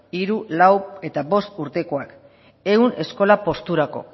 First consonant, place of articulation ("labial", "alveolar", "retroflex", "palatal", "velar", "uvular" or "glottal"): alveolar